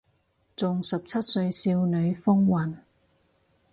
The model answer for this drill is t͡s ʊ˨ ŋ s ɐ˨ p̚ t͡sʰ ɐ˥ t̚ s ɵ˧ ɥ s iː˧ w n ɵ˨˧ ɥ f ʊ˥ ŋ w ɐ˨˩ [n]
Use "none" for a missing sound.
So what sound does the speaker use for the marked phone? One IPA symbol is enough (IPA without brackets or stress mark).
n